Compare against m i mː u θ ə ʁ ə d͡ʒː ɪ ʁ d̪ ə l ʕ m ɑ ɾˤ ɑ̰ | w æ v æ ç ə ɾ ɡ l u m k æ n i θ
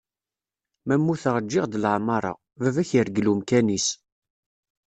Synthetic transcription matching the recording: m æ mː u θ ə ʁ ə d͡ʒː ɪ ʁ d̪ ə l ʕ m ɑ ɾˤ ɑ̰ | v æ v æ ç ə ɾ ɡ l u m k æ n i s